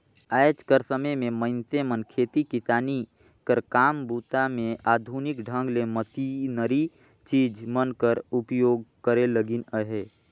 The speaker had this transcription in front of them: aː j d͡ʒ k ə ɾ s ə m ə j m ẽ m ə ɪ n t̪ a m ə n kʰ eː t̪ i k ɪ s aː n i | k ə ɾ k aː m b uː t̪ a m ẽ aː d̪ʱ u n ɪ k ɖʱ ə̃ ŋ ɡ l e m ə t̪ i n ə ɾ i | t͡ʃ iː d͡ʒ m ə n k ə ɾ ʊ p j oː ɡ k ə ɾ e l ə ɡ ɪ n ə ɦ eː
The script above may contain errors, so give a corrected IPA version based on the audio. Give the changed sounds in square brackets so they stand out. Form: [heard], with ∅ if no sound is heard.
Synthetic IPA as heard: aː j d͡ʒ k ə ɾ s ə m ə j m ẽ m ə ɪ n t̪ [e] m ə n kʰ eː t̪ i k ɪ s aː n i | k ə ɾ k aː m b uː t̪ a m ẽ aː d̪ʱ u n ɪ k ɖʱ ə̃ ŋ ɡ l e m ə t̪ i n ə ɾ i | t͡ʃ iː d͡ʒ m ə n k ə ɾ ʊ p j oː ɡ k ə ɾ e l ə ɡ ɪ n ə ɦ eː